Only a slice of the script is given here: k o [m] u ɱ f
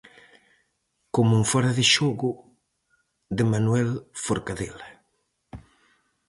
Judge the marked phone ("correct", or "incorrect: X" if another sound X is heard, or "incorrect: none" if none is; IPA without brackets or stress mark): correct